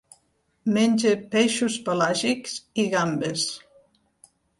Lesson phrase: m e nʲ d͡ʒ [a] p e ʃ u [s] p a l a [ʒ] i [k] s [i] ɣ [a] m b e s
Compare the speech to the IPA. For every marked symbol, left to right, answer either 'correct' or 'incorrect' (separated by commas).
incorrect, correct, correct, correct, correct, correct